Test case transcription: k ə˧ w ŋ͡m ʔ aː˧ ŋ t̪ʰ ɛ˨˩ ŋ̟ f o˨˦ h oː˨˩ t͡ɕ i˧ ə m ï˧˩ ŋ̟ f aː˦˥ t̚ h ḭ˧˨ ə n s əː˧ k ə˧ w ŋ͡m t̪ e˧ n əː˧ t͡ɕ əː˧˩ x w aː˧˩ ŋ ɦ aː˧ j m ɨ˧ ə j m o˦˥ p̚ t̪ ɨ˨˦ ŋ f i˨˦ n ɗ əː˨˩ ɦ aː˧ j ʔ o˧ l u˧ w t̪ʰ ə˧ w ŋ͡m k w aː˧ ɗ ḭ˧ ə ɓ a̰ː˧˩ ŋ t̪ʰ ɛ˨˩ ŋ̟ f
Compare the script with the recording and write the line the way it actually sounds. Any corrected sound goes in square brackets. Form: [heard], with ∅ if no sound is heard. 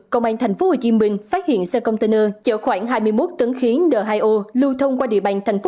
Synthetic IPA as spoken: k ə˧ w ŋ͡m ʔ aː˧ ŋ t̪ʰ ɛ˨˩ ŋ̟ f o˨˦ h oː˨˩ t͡ɕ i˧ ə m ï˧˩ ŋ̟ f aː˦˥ t̚ h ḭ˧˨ ə n s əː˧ k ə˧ w ŋ͡m t̪ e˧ n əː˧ t͡ɕ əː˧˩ x w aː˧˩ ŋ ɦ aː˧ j m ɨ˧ ə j m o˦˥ [t̚] t̪ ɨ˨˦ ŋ [x] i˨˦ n ɗ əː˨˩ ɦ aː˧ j ʔ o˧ l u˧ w t̪ʰ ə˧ w ŋ͡m k w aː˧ ɗ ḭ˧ ə ɓ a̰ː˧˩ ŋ t̪ʰ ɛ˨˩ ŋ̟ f

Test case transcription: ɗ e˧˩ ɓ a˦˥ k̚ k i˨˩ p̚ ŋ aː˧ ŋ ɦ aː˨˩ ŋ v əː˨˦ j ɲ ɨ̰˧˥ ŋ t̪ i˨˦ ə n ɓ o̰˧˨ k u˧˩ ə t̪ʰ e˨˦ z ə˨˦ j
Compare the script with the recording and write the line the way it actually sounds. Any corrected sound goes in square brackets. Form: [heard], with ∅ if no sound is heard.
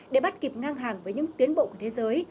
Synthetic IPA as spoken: ɗ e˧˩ ɓ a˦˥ [t̚] k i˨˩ p̚ ŋ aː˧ ŋ ɦ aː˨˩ ŋ v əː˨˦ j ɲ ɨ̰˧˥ ŋ t̪ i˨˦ ə n ɓ o̰˧˨ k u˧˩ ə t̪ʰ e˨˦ z [əː˨˦] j

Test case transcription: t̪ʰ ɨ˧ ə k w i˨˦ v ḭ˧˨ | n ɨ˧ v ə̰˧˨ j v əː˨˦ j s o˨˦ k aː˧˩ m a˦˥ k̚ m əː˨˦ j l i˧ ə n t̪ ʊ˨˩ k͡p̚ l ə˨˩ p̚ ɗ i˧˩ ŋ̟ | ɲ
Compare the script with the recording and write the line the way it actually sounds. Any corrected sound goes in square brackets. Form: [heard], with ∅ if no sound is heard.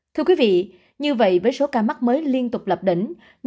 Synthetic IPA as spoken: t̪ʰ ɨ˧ ə k w i˨˦ v ḭ˧˨ | [ɲ] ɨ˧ v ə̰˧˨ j v əː˨˦ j s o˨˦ k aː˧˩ m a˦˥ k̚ m əː˨˦ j l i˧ ə n t̪ ʊ˨˩ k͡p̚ l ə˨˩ p̚ ɗ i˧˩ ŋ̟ | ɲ

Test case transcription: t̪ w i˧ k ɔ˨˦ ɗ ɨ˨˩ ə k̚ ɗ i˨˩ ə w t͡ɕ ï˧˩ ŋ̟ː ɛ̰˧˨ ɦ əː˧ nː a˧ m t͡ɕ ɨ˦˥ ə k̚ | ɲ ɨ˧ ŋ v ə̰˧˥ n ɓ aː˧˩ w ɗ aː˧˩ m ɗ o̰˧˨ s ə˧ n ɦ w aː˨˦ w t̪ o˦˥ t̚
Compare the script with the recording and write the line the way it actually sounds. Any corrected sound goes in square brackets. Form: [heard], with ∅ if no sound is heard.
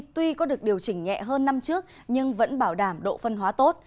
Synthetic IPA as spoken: t̪ w i˧ k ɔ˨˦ ɗ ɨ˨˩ ə k̚ ɗ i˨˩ ə w t͡ɕ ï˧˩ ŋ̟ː ɛ̰˧˨ ɦ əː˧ nː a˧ m t͡ɕ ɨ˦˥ ə k̚ | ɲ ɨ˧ ŋ v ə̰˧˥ n ɓ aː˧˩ w ɗ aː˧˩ m ɗ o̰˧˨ [f] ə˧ n ɦ w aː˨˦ [∅] t̪ o˦˥ t̚

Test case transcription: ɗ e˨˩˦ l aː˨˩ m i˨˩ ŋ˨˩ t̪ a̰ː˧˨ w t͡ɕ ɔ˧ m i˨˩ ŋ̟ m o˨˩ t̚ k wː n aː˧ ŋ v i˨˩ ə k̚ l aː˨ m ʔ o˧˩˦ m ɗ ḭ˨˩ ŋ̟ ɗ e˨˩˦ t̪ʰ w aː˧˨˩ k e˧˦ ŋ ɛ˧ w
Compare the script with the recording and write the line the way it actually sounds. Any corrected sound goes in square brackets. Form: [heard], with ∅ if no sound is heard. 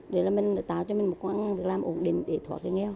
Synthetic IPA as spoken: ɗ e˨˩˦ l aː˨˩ m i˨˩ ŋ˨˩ t̪ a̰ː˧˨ w t͡ɕ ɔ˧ m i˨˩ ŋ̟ m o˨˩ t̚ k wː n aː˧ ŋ v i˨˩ ə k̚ l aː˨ m ʔ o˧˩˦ [n] ɗ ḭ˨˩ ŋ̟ ɗ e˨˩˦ t̪ʰ w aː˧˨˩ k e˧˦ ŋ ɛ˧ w

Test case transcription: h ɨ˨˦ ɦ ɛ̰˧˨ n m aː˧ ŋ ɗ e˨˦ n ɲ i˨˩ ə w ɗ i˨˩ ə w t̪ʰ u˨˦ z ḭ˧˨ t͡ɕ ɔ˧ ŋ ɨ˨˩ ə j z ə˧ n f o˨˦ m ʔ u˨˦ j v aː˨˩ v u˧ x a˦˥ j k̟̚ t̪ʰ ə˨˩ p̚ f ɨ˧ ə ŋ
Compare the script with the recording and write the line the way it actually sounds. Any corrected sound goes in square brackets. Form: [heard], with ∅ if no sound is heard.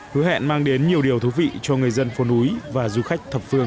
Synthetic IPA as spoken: h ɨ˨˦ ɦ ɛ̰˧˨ n m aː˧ ŋ ɗ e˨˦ n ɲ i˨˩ ə w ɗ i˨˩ ə w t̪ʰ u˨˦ [v] ḭ˧˨ t͡ɕ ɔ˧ ŋ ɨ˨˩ ə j z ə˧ n f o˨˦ [n] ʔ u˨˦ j v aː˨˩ [z] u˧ x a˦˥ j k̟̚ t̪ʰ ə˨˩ p̚ f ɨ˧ ə ŋ

